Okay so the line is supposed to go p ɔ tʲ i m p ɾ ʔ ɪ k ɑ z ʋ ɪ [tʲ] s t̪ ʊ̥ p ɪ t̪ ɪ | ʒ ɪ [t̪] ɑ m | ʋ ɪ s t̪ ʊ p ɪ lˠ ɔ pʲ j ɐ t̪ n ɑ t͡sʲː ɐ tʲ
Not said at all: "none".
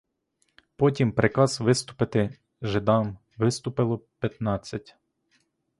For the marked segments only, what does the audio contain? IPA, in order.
none, d̪

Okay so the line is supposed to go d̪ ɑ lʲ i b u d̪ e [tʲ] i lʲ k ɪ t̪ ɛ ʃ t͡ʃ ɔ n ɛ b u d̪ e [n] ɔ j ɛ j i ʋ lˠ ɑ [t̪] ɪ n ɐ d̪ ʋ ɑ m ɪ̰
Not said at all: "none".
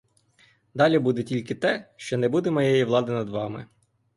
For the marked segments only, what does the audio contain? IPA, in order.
tʲ, m, d̪

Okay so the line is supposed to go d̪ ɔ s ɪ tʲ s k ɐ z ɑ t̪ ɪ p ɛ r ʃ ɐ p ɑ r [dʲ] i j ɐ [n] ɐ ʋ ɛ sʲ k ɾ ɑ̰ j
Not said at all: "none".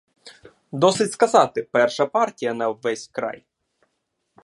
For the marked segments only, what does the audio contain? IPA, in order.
tʲ, n

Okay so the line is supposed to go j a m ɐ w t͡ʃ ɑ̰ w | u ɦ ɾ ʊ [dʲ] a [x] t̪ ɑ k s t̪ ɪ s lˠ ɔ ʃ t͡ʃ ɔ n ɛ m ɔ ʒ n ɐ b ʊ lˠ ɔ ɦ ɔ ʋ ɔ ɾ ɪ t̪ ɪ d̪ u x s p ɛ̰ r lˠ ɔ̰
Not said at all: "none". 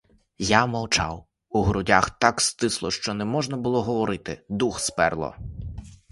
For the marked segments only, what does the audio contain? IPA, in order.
dʲ, x

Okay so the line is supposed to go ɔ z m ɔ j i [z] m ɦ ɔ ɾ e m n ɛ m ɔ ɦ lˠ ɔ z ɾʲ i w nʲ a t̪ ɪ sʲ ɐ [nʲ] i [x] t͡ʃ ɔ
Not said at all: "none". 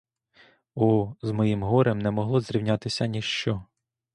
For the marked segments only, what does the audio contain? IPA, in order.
none, nʲ, ʃ

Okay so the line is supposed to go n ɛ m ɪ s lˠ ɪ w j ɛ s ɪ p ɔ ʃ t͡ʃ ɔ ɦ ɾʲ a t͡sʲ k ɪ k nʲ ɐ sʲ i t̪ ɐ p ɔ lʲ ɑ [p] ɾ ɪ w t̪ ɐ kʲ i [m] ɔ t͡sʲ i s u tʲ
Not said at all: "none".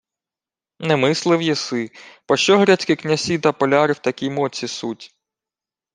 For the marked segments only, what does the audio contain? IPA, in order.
none, m

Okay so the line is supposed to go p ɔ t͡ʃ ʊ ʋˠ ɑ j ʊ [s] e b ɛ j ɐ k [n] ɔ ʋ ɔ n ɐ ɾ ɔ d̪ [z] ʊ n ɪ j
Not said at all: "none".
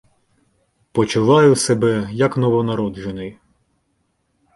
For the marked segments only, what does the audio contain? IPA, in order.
s, n, ʒ

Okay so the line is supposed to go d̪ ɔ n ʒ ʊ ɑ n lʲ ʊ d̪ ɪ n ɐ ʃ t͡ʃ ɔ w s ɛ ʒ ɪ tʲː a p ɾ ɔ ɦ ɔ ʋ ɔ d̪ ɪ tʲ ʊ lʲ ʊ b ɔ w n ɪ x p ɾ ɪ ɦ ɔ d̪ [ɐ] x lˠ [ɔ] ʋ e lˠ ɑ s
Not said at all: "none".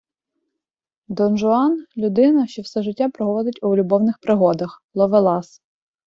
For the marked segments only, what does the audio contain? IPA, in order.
ɐ, ɔ

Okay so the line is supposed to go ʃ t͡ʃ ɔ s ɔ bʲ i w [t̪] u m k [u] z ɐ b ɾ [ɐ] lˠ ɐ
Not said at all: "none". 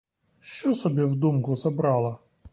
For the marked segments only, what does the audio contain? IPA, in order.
d̪, ʊ, ɑ

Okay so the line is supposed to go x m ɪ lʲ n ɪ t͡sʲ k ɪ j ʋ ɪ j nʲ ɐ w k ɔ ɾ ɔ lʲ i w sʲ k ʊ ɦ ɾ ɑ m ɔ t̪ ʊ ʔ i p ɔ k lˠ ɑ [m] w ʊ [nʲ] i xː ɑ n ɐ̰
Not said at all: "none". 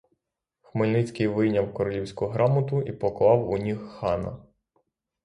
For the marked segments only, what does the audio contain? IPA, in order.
none, nʲ

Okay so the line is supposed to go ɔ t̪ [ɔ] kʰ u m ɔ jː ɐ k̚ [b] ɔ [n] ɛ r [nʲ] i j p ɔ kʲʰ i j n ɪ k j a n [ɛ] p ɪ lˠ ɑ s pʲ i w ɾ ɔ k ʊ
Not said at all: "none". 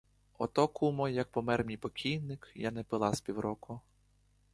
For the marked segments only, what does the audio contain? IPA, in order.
ɔ, p, m, mʲ, ɛ

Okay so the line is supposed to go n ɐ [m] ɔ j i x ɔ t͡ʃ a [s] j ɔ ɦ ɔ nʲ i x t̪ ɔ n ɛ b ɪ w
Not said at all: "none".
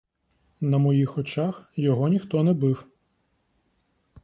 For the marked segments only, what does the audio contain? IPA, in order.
m, x

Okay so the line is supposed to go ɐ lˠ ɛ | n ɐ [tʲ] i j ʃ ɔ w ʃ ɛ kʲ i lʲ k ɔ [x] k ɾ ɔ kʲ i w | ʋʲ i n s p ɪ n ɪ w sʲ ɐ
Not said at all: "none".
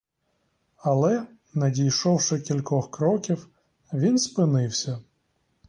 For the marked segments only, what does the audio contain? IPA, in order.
dʲ, x

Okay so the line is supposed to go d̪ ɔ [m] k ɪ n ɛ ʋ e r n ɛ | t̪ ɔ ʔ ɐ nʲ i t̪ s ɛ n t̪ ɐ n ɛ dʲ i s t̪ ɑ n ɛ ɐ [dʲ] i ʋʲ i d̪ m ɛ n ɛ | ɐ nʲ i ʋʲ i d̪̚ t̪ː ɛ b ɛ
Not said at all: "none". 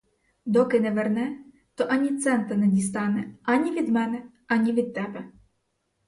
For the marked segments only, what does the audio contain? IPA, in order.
none, nʲ

